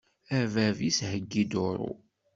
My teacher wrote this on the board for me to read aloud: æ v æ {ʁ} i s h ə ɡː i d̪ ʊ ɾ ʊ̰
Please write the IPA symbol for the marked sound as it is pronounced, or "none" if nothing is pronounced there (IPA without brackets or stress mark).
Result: v